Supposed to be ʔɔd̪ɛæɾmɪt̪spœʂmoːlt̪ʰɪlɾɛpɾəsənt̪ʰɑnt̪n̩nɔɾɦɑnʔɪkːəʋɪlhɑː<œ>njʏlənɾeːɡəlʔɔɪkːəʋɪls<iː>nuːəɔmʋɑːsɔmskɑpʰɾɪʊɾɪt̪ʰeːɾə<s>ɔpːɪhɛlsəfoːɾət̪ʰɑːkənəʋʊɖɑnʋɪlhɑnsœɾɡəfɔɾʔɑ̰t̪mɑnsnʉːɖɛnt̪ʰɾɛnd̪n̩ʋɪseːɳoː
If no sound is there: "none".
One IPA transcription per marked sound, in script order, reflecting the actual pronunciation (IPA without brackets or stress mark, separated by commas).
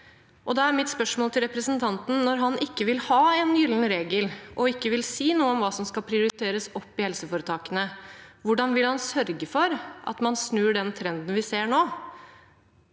ɛ, iː, s